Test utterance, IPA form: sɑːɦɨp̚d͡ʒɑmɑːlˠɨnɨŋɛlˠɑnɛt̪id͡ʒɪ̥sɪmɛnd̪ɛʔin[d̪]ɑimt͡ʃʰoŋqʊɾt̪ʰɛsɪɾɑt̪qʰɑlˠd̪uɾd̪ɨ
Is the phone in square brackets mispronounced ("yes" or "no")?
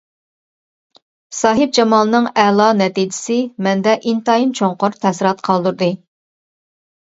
yes